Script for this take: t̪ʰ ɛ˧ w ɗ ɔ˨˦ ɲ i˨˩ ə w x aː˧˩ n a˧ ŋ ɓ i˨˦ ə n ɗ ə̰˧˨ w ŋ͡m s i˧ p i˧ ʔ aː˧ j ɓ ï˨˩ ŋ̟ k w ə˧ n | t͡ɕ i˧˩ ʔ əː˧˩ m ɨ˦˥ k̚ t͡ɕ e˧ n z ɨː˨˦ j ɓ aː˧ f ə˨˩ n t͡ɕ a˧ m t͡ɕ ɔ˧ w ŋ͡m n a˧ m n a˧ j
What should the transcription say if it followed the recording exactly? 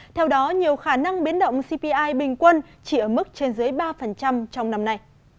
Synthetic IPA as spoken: t̪ʰ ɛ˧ w ɗ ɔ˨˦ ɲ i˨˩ ə w x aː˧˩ n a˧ ŋ ɓ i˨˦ ə n ɗ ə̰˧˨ w ŋ͡m s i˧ p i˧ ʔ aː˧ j ɓ ï˨˩ ŋ̟ k w ə˧ n | t͡ɕ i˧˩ ʔ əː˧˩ m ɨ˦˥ k̚ t͡ɕ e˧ n z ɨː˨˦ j ɓ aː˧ f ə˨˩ n t͡ɕ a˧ m t͡ɕ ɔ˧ w ŋ͡m n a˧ m n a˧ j